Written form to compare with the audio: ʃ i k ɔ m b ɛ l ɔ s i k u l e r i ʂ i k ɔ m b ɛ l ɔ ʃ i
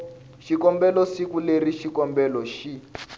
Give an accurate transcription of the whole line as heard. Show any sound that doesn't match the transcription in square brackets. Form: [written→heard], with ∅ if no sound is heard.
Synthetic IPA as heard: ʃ i k ɔ m b ɛ l ɔ s i k u l e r i [ʂ→ʃ] i k ɔ m b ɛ l ɔ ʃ i